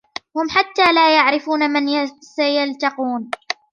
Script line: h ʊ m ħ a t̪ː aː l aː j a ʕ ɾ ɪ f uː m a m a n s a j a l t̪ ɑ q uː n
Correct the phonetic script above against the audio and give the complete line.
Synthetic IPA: h ʊ m ħ a t̪ː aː l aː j a ʕ ɾ ɪ f uː n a m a n s a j a l t̪ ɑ q uː n